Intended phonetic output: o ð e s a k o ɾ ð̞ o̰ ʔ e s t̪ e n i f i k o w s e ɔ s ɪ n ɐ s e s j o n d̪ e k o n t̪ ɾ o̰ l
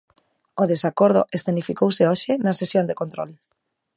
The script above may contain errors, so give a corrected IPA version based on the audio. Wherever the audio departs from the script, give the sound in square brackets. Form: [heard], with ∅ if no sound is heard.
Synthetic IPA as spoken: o ð e s a k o ɾ ð̞ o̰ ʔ e s t̪ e n i f i k o w s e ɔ [ʃ] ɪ n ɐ s e s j o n d̪ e k o n t̪ ɾ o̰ l